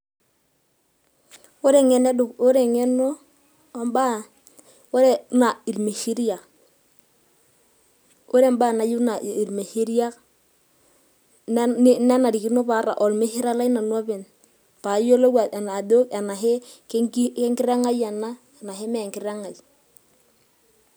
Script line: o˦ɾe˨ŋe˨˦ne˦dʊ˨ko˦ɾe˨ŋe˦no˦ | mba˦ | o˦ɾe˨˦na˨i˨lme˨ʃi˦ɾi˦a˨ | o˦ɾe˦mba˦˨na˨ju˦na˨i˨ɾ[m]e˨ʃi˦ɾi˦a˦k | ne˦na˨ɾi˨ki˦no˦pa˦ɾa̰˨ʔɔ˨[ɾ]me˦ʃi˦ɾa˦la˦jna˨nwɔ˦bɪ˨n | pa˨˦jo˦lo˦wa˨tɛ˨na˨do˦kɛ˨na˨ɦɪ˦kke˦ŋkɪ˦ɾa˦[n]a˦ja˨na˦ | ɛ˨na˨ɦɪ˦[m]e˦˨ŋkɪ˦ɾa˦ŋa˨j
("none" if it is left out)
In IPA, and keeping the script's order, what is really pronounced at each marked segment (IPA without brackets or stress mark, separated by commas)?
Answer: m, l, ŋ, m